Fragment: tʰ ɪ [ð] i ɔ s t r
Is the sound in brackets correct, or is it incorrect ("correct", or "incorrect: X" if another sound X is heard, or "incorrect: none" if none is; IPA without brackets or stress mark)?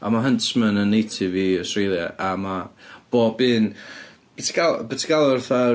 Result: incorrect: v